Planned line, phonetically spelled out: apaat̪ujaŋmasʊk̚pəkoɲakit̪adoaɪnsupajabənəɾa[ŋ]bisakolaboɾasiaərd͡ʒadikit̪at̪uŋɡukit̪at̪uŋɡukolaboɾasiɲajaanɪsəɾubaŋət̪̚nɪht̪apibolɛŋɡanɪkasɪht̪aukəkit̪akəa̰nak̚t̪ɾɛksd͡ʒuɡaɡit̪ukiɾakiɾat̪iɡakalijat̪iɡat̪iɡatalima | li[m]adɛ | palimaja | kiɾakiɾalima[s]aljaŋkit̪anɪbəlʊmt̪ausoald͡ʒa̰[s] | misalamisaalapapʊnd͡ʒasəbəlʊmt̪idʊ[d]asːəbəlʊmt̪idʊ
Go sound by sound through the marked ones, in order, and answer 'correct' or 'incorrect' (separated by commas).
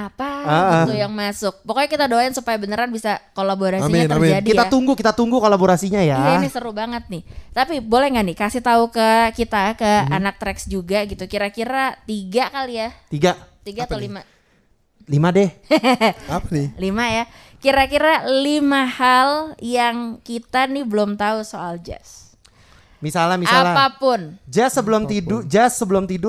incorrect, correct, incorrect, correct, incorrect